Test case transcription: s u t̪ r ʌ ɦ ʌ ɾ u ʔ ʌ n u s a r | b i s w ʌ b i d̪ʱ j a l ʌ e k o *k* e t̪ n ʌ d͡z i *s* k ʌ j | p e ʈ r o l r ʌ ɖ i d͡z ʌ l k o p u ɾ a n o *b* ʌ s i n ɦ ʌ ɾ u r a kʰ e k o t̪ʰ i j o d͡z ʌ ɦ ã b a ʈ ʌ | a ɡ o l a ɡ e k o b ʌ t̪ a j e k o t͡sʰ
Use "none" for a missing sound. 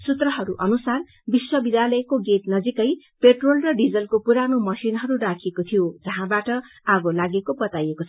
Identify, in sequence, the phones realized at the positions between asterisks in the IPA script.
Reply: ɡ, none, m

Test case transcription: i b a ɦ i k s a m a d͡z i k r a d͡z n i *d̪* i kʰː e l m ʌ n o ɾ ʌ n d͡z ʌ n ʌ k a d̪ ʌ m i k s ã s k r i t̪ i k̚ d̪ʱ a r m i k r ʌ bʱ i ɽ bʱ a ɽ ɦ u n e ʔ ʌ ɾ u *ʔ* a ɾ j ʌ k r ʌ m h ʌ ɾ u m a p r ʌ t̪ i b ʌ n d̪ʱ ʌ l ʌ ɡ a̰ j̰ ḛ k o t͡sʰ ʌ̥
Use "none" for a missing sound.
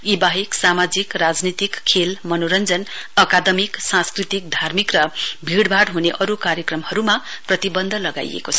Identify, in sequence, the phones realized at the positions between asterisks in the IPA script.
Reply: t̪, k

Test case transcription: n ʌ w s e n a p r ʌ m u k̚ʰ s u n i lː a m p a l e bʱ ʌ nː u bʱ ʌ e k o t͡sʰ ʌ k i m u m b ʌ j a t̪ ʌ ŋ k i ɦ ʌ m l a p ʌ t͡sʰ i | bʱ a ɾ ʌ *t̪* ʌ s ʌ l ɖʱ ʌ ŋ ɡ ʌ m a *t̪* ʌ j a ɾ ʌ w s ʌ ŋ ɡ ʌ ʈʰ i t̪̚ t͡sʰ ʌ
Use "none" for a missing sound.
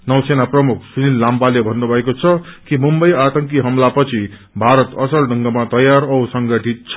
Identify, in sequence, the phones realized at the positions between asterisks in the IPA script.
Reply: t̪, t̪

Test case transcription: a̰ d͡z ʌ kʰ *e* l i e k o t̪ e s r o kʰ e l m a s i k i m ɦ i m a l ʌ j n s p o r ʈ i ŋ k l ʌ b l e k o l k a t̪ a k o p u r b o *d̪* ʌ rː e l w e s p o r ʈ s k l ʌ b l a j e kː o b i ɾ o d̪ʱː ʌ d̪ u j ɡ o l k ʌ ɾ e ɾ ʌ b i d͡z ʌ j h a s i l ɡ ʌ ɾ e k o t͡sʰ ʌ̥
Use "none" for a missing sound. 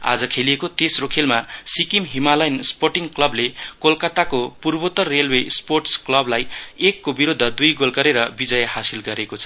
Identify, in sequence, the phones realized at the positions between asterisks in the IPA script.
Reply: e, t̪

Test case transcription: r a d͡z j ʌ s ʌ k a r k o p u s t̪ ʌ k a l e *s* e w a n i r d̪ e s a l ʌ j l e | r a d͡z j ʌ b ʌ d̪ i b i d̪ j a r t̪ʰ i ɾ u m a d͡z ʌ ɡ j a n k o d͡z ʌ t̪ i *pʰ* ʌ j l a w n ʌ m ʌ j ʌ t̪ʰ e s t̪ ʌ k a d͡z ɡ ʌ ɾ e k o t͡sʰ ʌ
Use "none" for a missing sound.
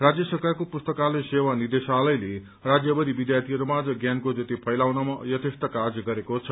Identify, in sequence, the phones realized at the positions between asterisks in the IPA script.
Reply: s, pʰ

